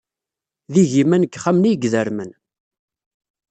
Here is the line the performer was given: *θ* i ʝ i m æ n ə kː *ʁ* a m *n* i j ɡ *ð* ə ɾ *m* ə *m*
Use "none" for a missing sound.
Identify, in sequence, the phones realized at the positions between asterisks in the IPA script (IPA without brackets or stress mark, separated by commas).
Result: ð, χ, n, ð, m, n